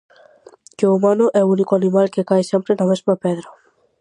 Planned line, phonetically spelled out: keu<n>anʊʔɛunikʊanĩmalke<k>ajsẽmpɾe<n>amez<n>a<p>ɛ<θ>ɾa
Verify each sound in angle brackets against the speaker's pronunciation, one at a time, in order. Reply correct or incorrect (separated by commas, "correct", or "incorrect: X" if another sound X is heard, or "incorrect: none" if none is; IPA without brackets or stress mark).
incorrect: m, correct, correct, incorrect: m, correct, incorrect: ð